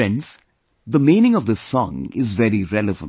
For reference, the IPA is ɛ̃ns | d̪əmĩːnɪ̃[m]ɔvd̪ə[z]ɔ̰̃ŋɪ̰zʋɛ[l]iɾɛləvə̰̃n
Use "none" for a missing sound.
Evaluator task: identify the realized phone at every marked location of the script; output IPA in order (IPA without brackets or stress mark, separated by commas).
ŋ, s, ɾ